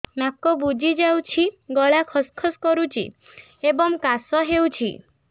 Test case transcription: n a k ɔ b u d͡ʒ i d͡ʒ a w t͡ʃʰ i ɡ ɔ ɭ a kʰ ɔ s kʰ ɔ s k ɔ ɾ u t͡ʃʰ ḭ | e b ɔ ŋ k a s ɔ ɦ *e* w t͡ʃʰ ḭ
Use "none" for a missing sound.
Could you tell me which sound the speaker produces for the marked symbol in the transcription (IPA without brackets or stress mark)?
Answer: e